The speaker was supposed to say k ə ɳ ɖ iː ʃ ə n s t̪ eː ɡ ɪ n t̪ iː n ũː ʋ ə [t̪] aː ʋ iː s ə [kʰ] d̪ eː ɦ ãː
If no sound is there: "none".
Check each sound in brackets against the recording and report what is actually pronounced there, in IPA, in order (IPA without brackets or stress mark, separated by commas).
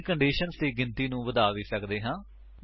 d̪, k